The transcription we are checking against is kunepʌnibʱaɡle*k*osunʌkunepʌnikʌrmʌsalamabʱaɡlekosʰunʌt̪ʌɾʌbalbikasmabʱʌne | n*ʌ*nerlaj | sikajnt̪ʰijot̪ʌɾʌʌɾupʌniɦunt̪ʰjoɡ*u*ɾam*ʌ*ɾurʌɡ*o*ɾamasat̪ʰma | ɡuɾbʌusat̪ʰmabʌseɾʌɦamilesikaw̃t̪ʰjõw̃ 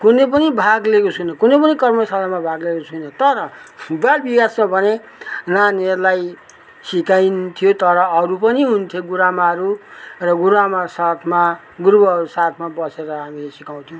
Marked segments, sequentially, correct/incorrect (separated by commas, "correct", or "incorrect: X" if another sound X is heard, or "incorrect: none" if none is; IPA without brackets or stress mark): correct, incorrect: a, correct, incorrect: a, incorrect: u